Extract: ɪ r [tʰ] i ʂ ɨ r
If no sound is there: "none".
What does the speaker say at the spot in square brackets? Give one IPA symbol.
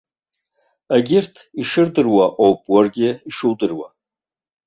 tʰ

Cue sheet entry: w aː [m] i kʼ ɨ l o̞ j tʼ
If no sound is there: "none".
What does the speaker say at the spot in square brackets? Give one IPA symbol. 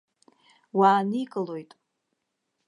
n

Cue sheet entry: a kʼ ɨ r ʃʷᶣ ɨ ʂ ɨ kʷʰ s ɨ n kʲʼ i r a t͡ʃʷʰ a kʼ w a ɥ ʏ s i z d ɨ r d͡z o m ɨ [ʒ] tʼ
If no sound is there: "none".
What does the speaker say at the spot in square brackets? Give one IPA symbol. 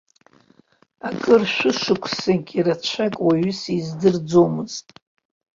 z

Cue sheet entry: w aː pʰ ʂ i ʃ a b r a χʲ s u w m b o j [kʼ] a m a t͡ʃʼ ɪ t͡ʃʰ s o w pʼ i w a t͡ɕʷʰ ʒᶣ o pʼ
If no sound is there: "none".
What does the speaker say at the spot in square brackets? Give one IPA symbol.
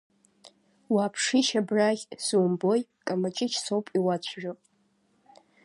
kʼ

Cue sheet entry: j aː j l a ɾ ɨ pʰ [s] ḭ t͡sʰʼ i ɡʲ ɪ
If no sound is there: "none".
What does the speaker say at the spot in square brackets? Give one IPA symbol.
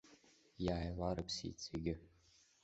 s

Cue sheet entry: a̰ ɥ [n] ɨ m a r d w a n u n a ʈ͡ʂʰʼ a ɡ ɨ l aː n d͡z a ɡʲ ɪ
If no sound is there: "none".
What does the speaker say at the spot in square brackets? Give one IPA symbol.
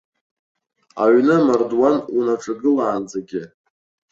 n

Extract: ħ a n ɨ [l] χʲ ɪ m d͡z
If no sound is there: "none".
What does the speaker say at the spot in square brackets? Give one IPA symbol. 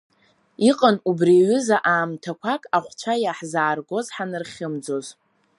r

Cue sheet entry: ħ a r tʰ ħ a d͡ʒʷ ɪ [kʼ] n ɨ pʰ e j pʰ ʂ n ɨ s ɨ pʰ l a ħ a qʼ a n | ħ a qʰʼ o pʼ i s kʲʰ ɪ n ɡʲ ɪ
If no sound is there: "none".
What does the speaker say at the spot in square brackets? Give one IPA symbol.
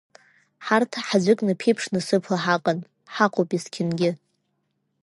kʼ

